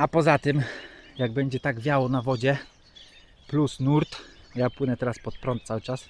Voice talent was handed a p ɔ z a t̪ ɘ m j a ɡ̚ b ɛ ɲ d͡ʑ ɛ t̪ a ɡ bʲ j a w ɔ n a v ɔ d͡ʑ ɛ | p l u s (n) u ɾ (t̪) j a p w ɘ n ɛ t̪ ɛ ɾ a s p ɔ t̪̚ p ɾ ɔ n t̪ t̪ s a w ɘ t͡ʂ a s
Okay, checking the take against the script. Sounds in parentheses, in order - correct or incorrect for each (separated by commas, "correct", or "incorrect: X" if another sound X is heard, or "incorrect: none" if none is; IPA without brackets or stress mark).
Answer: correct, correct